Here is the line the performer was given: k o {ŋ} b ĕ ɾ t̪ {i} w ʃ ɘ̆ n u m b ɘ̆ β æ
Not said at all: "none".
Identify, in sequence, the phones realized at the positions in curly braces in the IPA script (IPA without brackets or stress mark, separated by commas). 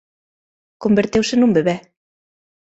m, e